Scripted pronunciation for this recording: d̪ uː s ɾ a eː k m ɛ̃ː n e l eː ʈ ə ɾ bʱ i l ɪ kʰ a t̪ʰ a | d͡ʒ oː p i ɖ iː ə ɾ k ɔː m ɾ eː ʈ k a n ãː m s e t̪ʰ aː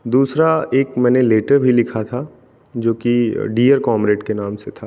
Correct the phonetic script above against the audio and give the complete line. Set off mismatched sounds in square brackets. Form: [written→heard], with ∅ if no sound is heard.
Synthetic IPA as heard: d̪ uː s ɾ a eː k m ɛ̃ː n e l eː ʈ ə ɾ bʱ i l ɪ kʰ a t̪ʰ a | d͡ʒ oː [p→k] i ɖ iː ə ɾ k ɔː m ɾ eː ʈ k [a→e] n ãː m s e t̪ʰ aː